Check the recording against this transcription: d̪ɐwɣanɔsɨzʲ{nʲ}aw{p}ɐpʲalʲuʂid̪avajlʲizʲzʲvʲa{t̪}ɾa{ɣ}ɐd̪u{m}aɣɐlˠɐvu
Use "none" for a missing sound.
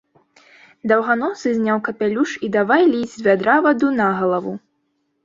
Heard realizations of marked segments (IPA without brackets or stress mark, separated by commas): nʲ, k, d̪, v, n